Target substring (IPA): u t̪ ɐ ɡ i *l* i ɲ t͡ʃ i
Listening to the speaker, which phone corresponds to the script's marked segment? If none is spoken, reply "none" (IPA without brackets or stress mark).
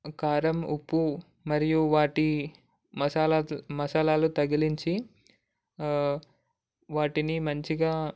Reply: l